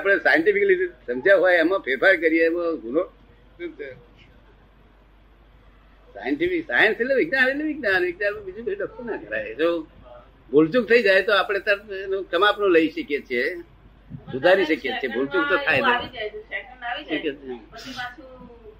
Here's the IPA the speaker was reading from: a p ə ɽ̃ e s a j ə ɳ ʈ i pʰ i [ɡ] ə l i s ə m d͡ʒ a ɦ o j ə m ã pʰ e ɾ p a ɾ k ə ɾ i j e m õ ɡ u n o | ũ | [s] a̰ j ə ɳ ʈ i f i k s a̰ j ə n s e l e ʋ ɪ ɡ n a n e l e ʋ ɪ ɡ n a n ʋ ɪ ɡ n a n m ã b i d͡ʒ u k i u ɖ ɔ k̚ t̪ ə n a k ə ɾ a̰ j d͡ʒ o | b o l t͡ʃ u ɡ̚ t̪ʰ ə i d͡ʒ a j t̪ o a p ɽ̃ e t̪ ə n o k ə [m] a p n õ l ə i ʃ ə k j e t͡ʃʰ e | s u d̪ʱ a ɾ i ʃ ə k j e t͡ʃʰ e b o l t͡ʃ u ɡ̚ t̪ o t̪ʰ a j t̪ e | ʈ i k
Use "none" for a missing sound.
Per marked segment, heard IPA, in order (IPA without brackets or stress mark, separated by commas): k, s, m